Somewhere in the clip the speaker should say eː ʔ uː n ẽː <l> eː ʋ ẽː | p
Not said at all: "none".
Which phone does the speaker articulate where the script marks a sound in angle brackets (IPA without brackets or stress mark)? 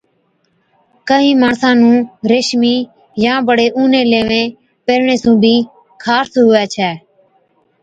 l